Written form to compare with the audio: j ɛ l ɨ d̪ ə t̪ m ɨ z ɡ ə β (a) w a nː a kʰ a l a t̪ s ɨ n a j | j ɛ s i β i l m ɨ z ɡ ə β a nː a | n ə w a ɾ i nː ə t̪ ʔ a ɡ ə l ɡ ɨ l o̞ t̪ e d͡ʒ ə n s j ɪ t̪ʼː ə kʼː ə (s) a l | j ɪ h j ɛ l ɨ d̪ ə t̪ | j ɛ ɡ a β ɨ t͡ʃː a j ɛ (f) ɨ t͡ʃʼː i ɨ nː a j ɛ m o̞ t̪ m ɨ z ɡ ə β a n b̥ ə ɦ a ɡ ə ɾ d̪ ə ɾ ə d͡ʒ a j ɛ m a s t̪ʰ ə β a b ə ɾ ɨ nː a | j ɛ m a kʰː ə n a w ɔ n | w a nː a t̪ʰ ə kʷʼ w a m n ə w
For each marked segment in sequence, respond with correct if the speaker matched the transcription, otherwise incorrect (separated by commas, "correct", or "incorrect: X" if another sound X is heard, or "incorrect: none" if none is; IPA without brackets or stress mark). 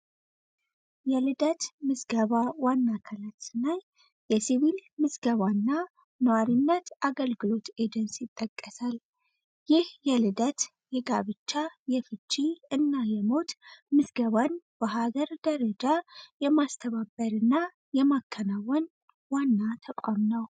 correct, correct, correct